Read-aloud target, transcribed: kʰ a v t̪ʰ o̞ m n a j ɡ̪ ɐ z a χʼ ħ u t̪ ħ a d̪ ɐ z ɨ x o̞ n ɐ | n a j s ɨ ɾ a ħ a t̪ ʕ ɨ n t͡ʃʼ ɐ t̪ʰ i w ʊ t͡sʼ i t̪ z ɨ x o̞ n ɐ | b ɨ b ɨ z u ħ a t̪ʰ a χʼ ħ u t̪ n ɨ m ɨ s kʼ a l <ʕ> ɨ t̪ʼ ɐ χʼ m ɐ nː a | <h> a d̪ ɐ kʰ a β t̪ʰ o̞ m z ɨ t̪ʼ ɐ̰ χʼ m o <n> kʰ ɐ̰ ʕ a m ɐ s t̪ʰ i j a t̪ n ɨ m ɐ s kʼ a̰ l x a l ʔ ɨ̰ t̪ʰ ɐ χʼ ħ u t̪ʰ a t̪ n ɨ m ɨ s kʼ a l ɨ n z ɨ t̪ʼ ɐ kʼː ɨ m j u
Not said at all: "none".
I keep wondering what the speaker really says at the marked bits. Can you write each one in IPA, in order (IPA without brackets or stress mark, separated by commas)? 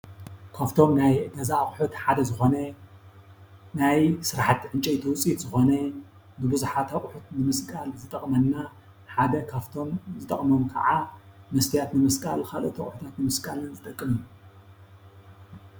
z, ħ, m